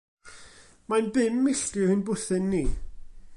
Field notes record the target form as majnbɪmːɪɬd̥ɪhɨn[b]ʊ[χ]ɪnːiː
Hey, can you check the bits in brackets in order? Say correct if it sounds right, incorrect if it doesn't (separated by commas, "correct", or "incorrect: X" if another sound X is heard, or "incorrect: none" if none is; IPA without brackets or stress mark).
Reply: correct, incorrect: θ